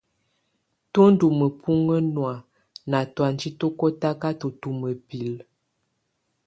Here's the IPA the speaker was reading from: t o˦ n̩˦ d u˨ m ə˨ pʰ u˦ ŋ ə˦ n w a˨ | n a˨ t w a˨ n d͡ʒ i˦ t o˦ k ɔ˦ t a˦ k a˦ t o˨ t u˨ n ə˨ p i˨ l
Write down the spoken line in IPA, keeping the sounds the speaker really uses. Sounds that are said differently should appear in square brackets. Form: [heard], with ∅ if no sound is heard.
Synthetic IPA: t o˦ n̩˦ d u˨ m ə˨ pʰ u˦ ŋ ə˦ n w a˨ | n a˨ t w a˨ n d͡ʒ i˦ t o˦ k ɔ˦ t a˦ k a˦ t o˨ t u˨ [m] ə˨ p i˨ l